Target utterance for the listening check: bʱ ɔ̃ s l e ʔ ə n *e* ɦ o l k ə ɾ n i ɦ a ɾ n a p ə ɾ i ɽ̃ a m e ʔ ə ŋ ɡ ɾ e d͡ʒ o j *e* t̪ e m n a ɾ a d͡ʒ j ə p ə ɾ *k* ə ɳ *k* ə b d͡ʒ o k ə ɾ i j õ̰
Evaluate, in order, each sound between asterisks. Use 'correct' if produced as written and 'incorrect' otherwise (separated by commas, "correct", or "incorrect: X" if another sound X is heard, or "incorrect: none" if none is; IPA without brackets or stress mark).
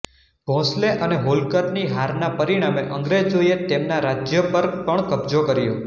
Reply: correct, correct, incorrect: p, correct